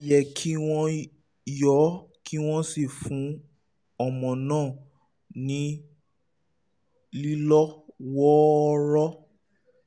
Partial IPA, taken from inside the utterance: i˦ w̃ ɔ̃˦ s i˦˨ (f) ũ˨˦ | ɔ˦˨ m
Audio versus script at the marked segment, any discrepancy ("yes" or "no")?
no